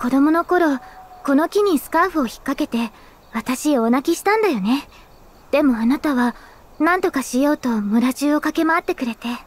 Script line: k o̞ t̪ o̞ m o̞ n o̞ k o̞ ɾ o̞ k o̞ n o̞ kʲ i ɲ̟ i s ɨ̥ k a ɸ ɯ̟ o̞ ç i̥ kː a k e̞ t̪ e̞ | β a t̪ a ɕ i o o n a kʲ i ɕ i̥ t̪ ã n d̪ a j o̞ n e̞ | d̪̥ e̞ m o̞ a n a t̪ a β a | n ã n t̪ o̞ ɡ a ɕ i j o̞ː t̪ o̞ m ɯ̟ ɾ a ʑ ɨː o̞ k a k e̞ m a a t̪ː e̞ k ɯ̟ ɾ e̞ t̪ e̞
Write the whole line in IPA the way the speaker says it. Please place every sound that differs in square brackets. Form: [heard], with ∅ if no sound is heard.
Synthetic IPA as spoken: k o̞ [d̪] o̞ m o̞ n o̞ k o̞ ɾ o̞ k o̞ n o̞ kʲ i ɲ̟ i s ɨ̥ k a ɸ ɯ̟ o̞ ç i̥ kː a k e̞ t̪ e̞ | β a t̪ a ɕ i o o n a kʲ i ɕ i̥ t̪ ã n d̪ a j o̞ n e̞ | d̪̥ e̞ m o̞ a n a t̪ a β a | n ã n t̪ o̞ [k] a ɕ i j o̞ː t̪ o̞ m ɯ̟ ɾ a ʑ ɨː o̞ k a k e̞ m a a t̪ː e̞ k ɯ̟ ɾ e̞ t̪ e̞